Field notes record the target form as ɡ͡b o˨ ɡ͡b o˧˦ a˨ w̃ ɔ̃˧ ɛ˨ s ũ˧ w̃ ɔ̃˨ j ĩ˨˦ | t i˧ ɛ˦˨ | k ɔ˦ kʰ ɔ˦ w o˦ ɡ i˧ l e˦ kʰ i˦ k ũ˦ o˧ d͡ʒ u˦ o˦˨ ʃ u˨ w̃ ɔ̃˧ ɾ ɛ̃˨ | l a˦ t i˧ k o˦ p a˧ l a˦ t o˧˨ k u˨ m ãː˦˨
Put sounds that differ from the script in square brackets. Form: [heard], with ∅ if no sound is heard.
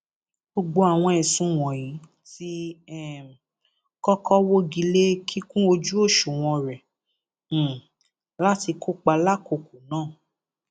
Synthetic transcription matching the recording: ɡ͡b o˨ ɡ͡b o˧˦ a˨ w̃ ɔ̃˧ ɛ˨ s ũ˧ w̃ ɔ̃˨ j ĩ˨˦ | t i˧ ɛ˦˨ | k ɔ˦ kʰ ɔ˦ w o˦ ɡ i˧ l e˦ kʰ i˦ k ũ˦ o˧ d͡ʒ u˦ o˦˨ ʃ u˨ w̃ ɔ̃˧ ɾ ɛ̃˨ | l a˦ t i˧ k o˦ [k͡p] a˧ l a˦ [k] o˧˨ k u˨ [n] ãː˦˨